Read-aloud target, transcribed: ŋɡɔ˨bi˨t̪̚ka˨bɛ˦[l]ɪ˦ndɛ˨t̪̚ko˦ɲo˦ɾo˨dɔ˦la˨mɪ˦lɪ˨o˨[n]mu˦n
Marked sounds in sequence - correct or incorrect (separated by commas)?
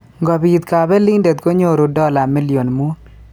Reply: correct, correct